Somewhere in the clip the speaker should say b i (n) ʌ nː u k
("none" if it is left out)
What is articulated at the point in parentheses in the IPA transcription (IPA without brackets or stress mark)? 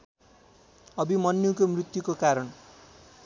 m